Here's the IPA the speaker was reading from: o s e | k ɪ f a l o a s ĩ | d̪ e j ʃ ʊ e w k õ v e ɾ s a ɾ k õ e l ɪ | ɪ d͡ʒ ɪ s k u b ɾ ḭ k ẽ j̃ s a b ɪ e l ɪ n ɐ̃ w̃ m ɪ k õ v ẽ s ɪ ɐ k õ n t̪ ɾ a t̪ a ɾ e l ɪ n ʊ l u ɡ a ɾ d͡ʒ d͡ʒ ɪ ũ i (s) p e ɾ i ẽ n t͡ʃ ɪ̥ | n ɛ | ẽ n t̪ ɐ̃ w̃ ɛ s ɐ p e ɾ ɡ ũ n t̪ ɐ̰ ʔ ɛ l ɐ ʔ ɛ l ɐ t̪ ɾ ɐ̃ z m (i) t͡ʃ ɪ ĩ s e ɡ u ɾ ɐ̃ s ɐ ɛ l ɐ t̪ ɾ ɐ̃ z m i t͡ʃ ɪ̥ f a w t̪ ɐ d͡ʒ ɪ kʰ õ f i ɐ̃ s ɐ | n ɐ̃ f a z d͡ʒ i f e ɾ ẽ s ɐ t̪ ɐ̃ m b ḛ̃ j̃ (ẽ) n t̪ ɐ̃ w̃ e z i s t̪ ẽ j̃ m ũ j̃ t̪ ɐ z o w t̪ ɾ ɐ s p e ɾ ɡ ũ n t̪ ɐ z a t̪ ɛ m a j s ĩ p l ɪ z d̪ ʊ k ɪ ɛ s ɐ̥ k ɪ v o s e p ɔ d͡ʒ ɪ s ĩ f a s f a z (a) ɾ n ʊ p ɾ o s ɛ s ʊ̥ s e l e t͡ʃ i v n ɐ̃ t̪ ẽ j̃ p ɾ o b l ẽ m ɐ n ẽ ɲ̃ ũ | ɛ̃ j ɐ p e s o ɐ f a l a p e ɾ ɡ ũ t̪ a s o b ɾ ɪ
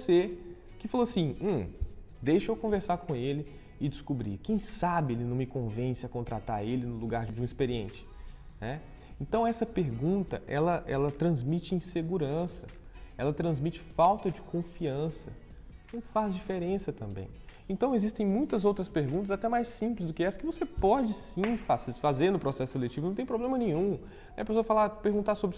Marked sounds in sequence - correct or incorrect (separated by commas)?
correct, correct, correct, incorrect